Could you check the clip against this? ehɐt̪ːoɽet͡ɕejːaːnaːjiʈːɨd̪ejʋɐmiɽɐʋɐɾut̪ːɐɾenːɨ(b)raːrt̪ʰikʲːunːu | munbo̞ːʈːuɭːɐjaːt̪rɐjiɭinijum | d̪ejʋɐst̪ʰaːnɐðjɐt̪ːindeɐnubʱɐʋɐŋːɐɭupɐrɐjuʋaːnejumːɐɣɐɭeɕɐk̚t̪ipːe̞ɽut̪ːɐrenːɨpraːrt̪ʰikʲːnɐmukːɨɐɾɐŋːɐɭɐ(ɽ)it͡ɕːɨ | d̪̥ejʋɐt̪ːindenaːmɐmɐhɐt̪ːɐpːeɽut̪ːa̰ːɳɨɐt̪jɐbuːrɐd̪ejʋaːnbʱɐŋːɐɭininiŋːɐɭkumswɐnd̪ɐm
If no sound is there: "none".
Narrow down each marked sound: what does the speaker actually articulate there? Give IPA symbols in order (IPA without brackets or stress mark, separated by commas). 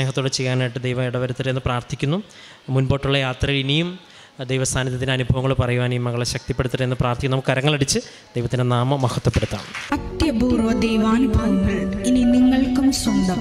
p, ɽ